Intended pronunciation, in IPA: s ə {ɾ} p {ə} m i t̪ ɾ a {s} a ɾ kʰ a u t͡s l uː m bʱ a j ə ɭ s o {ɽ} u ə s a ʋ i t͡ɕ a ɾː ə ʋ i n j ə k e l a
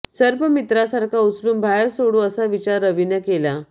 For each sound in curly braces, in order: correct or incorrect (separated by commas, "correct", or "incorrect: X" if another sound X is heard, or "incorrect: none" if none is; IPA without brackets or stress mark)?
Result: correct, correct, correct, correct